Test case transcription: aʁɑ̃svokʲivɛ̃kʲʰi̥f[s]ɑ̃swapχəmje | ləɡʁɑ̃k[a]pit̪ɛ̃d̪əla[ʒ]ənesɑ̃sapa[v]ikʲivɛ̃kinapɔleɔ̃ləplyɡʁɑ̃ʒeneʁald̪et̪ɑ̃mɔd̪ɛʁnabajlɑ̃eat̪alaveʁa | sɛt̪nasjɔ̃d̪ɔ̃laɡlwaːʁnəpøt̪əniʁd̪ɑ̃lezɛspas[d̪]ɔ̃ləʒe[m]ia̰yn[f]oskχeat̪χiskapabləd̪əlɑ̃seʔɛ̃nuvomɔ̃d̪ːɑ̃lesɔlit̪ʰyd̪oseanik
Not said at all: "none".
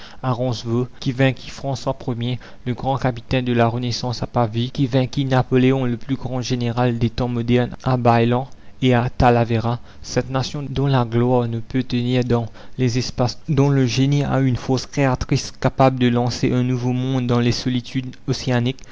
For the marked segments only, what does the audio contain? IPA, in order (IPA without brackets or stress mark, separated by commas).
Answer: χ, a, ʁ, v, d̪, n, f